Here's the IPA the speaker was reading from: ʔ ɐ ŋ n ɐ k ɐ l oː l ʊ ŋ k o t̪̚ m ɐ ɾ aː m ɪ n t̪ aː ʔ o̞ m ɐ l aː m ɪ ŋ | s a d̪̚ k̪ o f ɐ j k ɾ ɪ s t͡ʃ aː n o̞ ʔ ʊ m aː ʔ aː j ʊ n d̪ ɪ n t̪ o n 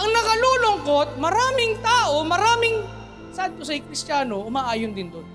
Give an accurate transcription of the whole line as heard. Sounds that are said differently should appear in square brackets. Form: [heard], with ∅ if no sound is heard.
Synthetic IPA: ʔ ɐ ŋ n ɐ k ɐ l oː l ʊ ŋ k o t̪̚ m ɐ ɾ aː m ɪ [ŋ] t̪ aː ʔ o̞ m ɐ [ɾ] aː m ɪ ŋ | s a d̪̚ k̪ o [s] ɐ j k ɾ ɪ s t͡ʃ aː n o̞ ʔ ʊ m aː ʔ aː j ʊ n d̪ ɪ n [d̪] o n